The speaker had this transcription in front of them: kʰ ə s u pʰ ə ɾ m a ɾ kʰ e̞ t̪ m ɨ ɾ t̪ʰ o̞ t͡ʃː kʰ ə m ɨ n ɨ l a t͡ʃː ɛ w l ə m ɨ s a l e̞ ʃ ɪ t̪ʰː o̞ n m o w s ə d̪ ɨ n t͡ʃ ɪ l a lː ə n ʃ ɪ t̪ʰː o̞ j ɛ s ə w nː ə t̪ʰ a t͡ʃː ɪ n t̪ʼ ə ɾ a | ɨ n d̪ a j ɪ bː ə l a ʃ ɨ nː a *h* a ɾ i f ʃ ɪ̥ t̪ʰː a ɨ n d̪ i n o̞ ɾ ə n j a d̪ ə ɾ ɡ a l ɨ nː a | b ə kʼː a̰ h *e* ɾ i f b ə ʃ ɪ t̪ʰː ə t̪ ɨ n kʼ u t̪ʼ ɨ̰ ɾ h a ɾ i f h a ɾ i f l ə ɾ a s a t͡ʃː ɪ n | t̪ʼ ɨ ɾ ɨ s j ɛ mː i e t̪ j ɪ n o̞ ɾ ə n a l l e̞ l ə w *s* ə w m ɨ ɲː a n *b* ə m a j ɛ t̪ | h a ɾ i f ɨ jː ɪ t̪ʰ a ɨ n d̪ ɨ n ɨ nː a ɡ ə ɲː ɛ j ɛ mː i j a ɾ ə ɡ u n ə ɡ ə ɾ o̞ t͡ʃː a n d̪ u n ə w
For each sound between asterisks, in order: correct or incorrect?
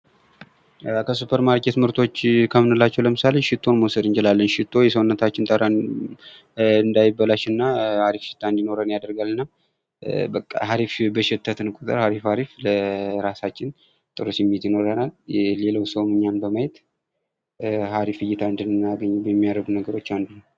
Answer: correct, incorrect: a, correct, correct

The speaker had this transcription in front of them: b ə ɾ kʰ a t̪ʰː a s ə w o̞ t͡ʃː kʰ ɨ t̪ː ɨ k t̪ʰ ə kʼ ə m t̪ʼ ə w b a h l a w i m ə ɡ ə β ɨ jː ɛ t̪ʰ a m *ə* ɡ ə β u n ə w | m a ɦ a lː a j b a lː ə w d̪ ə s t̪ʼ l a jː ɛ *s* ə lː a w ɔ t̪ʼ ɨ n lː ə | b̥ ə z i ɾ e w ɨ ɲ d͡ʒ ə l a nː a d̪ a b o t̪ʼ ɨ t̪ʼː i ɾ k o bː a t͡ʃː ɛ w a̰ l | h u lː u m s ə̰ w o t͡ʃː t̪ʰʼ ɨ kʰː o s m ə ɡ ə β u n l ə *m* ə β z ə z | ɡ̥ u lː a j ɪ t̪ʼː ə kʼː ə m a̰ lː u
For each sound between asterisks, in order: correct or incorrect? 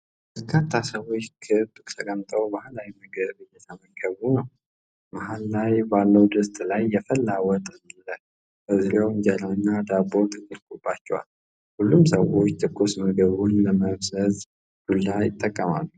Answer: correct, incorrect: f, correct

